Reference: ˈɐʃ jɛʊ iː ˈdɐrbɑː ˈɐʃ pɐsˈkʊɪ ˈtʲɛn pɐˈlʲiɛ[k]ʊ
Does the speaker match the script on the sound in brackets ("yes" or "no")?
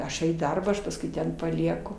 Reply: yes